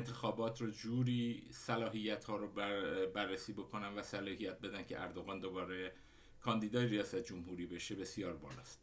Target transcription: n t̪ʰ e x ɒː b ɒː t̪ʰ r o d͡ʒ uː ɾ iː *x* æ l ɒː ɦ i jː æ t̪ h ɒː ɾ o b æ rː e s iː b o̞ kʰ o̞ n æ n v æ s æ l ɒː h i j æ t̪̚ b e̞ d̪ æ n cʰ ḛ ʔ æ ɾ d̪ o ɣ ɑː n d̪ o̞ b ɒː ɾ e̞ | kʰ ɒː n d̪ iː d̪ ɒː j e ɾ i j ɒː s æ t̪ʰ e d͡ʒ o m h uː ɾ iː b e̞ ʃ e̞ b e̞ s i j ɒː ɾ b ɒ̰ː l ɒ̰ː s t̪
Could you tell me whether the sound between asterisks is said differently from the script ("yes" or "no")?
yes